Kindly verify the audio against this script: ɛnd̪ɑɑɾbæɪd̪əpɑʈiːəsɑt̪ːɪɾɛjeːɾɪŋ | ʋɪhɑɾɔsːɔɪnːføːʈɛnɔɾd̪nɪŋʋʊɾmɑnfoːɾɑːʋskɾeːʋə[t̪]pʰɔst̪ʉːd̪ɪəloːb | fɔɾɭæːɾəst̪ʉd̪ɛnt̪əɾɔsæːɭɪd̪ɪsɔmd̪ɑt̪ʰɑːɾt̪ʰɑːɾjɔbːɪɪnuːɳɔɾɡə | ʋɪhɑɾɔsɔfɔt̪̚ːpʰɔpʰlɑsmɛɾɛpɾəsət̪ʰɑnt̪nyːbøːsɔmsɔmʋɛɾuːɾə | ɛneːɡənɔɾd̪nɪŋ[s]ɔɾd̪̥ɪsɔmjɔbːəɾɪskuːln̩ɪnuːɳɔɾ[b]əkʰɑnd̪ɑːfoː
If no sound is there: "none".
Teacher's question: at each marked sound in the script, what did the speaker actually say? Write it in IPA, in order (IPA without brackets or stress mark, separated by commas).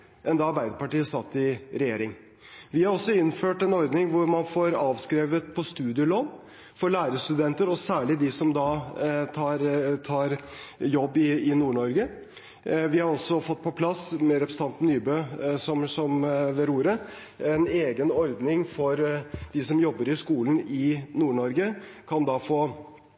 t̪, f, ɡ